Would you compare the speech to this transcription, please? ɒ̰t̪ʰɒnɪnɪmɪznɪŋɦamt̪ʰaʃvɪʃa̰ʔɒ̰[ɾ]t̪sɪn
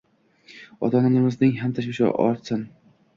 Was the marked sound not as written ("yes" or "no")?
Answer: no